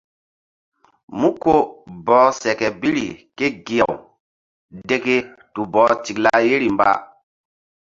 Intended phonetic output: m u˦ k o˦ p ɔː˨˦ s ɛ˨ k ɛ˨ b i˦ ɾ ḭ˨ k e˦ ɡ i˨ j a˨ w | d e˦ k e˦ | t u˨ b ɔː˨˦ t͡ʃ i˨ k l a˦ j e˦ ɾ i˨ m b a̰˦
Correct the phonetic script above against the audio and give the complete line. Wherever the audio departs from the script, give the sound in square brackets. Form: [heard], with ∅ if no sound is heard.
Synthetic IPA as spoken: m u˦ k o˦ [b] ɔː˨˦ s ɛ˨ k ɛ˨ b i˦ ɾ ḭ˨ k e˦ ɡ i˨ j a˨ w | d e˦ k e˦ | t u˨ b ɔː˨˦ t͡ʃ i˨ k l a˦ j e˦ ɾ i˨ m b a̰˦